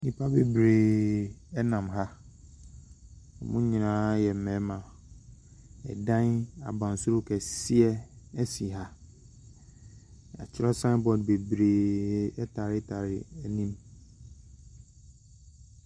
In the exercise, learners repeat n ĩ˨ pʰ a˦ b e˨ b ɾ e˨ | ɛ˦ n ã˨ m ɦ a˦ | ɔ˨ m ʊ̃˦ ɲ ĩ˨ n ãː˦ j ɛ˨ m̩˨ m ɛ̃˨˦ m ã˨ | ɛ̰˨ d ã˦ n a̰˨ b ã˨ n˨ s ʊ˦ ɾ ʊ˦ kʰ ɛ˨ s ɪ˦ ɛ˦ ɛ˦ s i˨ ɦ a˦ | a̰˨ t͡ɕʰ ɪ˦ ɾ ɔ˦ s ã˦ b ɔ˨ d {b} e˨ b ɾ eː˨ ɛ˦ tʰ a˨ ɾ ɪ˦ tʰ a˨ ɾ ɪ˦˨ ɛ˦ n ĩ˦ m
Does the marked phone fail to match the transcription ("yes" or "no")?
no